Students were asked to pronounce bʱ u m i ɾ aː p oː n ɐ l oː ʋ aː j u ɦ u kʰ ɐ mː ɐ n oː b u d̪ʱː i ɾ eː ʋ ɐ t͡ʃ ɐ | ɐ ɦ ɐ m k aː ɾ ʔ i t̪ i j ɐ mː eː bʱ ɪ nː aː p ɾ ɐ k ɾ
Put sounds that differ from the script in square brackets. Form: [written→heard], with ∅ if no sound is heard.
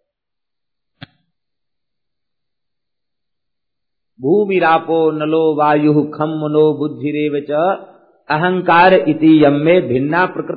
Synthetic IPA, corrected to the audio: bʱ [u→uː] m i ɾ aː p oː n ɐ l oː ʋ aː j u ɦ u kʰ ɐ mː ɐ n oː b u d̪ʱː i ɾ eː ʋ ɐ t͡ʃ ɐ | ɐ ɦ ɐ [m→ŋ] k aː ɾ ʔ i t̪ i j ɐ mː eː bʱ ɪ nː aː p ɾ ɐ k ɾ